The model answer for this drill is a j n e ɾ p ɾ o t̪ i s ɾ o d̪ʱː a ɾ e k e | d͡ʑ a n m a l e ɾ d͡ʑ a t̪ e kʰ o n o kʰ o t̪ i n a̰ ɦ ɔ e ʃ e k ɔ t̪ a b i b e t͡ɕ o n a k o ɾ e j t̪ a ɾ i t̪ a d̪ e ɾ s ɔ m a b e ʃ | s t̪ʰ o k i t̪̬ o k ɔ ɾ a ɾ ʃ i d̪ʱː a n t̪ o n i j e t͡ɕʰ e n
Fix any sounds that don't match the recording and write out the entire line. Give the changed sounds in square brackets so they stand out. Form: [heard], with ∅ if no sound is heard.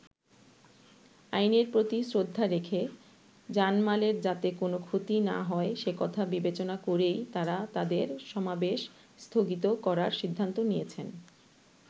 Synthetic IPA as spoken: a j n e ɾ p ɾ o t̪ i s ɾ o d̪ʱː a ɾ e [kʰ] e | d͡ʑ a n m a l e ɾ d͡ʑ a t̪ e [k] o n o kʰ o t̪ i n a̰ ɦ ɔ e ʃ e k ɔ [t̪ʰ] a b i b e t͡ɕ o n a k o ɾ e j t̪ a ɾ [a] t̪ a d̪ e ɾ [ʃ] ɔ m a b e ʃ | s t̪ʰ o [ɡ] i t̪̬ o k ɔ ɾ a ɾ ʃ i d̪ʱː a n t̪ o n i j e t͡ɕʰ e n

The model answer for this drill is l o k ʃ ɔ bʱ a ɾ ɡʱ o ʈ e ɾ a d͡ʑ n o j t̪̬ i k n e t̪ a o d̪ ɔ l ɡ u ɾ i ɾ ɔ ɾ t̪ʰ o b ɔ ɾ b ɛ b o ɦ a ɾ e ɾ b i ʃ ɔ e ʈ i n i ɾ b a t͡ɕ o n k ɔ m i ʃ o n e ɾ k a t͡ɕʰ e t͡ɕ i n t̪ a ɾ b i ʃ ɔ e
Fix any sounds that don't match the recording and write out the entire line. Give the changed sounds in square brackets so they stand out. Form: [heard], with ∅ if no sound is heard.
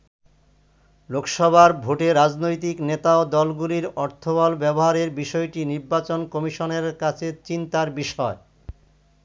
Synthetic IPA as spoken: l o k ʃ ɔ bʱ a ɾ [bʱ] o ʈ e ɾ a d͡ʑ n o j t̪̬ i k n e t̪ a o d̪ ɔ l ɡ u [l] i ɾ ɔ ɾ t̪ʰ o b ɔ [l] b ɛ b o ɦ a ɾ e ɾ b i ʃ ɔ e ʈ i n i ɾ b a t͡ɕ o n k ɔ m i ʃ o n e ɾ k a t͡ɕʰ e t͡ɕ i n t̪ a ɾ b i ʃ ɔ e

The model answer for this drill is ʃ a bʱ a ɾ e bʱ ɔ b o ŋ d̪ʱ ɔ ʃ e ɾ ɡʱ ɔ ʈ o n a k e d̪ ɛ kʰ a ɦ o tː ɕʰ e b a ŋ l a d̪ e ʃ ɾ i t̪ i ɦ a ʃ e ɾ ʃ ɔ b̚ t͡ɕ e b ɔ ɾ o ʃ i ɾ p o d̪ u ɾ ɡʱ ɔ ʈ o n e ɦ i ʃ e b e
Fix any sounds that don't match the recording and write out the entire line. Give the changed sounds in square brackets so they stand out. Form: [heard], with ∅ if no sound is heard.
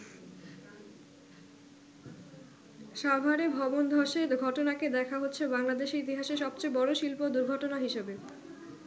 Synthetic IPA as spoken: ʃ a bʱ a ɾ e bʱ ɔ b o [n] d̪ʱ ɔ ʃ e ɾ ɡʱ ɔ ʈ o n a k e d̪ ɛ kʰ a ɦ o tː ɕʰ e b a ŋ l a d̪ e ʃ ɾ i t̪ i ɦ a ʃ e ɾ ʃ ɔ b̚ t͡ɕ e b ɔ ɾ o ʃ i [l] p o d̪ u ɾ ɡʱ ɔ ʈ o n [a] ɦ i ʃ e b e

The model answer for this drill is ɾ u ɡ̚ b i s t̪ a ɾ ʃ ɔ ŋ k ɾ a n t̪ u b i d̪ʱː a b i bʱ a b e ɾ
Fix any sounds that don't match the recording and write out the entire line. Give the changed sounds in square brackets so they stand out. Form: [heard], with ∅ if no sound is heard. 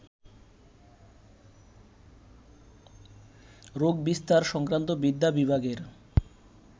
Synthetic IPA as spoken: ɾ [o] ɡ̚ b i s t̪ a ɾ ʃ ɔ ŋ k ɾ a n t̪ [o] b i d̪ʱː a b i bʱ a [ɡ] e ɾ

